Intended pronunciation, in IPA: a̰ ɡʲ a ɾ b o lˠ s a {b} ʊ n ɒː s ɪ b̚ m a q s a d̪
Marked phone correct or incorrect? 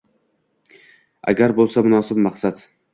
incorrect